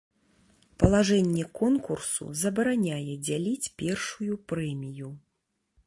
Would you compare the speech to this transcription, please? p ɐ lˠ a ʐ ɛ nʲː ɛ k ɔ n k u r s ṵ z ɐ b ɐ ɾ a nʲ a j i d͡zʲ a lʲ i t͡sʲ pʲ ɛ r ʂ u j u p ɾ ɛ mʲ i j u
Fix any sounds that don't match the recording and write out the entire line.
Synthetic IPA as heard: p ɐ lˠ a ʐ ɛ nʲː ɛ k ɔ n k u r s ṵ z ɐ b ɐ ɾ a nʲ a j ɛ d͡zʲ a lʲ i t͡sʲ pʲ ɛ r ʂ u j u p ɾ ɛ mʲ i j u

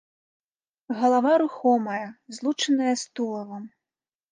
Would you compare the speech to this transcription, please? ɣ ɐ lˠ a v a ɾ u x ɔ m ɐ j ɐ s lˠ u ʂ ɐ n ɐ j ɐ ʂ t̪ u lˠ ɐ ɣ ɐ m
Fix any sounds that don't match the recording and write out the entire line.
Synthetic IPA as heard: ɣ ɐ lˠ a v a ɾ u x ɔ m ɐ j ɐ z lˠ u t͡ʂ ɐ n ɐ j ɐ s t̪ u lˠ ɐ v ɐ m

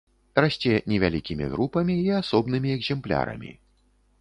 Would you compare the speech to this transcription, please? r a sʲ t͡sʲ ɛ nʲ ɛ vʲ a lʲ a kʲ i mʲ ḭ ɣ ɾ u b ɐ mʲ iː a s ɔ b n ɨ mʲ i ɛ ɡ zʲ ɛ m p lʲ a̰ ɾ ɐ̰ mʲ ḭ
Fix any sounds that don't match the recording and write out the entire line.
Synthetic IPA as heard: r a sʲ t͡sʲ ɛ nʲ ɛ vʲ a lʲ i kʲ i mʲ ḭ ɣ ɾ u p ɐ mʲ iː a s ɔ b n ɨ mʲ i ɛ ɡ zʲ ɛ m p lʲ a̰ ɾ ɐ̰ mʲ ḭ

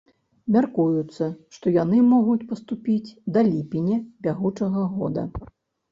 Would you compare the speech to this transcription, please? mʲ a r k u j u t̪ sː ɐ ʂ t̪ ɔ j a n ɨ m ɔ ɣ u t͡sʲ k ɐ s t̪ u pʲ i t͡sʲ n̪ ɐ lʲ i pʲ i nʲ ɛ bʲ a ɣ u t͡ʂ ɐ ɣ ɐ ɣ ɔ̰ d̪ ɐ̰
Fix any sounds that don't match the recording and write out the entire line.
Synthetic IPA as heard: mʲ a r k u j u t̪ sː ɐ ʂ t̪ ɔ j a n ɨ m ɔ ɣ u t͡sʲ p ɐ s t̪ u pʲ i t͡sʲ d̪ ɐ lʲ i pʲ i nʲ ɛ bʲ a ɣ u t͡ʂ ɐ ɣ ɐ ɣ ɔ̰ d̪ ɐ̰

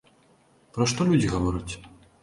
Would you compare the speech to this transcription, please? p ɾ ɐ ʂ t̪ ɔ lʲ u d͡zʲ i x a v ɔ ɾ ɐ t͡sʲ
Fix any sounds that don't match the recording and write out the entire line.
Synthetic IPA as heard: p ɾ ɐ ʂ t̪ ɔ lʲ u d͡zʲ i ɣ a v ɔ ɾ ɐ t͡sʲ

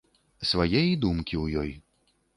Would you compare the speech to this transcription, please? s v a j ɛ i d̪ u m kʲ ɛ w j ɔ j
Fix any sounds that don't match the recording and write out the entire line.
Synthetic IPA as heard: s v a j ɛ j d̪ u m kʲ i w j ɔ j

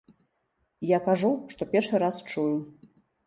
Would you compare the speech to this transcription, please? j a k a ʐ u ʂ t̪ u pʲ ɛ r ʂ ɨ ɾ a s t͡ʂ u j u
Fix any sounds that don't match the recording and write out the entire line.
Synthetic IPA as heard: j a k a ʐ u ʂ t̪ ɔ pʲ ɛ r ʂ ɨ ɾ a s t͡ʂ u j u

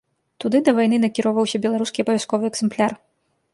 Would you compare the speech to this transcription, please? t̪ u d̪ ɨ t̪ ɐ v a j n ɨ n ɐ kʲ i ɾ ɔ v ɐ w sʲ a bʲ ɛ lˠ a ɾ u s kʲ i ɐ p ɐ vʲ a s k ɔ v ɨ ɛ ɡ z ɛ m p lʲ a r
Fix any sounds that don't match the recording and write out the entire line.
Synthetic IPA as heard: t̪ u d̪ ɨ d̪ ɐ v a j n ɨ n ɐ kʲ i ɾ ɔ v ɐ w sʲ ɐ bʲ ɛ lˠ a ɾ u s kʲ i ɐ p ɐ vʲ a s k ɔ v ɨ ɛ ɡ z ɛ m p lʲ a r

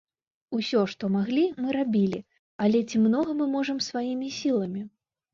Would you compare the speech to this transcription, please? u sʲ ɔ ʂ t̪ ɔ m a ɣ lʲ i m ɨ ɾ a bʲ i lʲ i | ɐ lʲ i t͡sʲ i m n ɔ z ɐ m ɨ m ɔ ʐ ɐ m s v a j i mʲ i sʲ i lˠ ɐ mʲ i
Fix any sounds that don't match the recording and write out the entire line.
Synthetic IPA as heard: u sʲ ɔ ʂ t̪ ɔ m a ɣ lʲ i m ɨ ɾ a bʲ i lʲ i | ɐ lʲ ɛ t͡sʲ i m n ɔ ɣ ɐ m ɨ m ɔ ʐ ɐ m s v a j i mʲ i sʲ i lˠ ɐ mʲ i

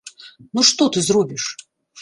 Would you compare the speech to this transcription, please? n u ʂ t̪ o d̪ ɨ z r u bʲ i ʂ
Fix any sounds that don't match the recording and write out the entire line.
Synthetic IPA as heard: n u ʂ t̪ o t̪ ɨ z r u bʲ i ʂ

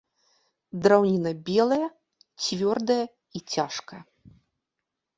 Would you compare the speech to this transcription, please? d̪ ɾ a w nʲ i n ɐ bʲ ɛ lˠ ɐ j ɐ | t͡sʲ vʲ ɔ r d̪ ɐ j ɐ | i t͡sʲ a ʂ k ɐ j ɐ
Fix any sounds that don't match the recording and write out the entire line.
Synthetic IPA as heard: d̪ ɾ a w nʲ i n ɐ bʲ ɛ lˠ ɐ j ɐ | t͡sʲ vʲ ɔ r d̪ ɐ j ɐ | i t͡sʲ a ʂ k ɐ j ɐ

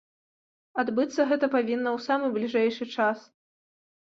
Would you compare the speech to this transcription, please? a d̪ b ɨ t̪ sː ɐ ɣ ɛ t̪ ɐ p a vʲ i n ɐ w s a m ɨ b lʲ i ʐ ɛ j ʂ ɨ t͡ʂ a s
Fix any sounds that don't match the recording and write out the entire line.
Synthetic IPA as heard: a d̪ b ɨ t̪ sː ɐ ɣ ɛ t̪ ɐ p a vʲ i nː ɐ w s a m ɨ b lʲ i ʐ ɛ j ʂ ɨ t͡ʂ a s

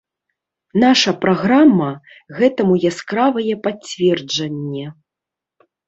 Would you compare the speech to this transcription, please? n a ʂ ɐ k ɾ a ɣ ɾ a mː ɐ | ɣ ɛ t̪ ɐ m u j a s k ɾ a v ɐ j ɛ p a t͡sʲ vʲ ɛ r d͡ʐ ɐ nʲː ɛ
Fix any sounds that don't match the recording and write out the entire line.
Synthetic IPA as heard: n a ʂ ɐ p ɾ a ɣ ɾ a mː ɐ | ɣ ɛ t̪ ɐ m u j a s k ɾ a v ɐ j ɛ p a t͡sʲ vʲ ɛ r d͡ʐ ɐ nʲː ɛ

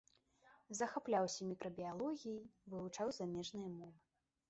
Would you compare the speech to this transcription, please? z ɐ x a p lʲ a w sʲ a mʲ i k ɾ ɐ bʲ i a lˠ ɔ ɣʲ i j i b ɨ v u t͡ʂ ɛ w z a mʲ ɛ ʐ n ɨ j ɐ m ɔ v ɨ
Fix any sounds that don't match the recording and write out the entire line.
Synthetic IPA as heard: z ɐ x a p lʲ a w sʲ ɐ mʲ i k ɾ ɐ bʲ i a lˠ ɔ ɣʲ i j i v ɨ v u t͡ʂ a w z a mʲ ɛ ʐ n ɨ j ɐ m ɔ v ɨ

